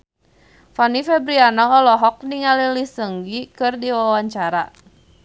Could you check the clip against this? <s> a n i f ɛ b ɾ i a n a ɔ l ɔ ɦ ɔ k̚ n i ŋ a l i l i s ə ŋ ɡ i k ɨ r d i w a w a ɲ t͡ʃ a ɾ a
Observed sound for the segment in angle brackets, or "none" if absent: f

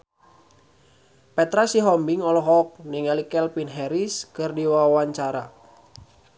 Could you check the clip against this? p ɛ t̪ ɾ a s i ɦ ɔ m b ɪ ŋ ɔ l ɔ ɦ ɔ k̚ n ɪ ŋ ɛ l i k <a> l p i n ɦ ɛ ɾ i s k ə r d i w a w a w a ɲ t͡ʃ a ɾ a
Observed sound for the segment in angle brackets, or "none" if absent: ɛ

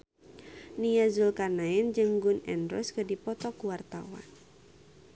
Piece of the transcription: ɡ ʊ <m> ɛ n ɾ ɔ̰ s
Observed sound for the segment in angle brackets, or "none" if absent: n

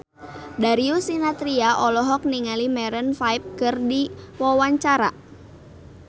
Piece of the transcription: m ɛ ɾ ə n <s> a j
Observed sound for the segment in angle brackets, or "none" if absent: f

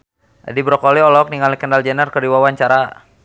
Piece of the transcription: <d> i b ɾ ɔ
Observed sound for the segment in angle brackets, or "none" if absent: d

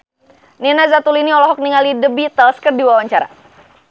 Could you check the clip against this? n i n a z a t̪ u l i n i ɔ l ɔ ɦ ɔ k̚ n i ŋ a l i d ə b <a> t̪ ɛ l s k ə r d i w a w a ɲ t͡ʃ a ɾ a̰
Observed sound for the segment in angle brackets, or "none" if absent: i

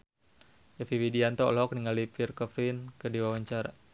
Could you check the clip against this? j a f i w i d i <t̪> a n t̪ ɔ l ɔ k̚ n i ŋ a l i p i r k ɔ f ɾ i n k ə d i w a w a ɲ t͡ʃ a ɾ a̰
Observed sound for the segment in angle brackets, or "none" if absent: none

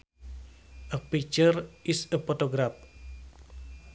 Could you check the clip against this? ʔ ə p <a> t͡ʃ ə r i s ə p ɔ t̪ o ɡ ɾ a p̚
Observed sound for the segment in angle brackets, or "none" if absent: i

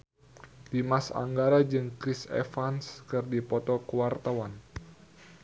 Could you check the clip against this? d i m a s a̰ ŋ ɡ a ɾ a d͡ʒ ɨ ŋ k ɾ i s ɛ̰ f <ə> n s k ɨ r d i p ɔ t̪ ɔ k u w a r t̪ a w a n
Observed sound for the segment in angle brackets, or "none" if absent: a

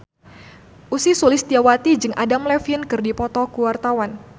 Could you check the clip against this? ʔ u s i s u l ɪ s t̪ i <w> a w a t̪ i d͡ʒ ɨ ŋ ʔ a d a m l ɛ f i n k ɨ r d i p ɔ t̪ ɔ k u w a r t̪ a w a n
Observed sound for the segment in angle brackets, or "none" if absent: none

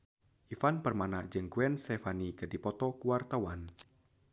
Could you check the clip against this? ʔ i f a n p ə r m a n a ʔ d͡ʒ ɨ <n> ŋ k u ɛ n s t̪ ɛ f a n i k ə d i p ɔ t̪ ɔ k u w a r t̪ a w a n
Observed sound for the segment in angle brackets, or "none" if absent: none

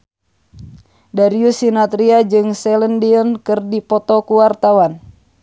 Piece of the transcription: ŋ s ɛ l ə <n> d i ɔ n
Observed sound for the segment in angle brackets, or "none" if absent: n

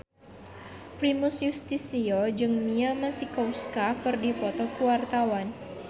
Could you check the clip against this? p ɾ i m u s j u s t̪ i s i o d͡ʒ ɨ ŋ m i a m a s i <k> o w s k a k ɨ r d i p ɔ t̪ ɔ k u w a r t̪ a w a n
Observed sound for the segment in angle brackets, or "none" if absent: k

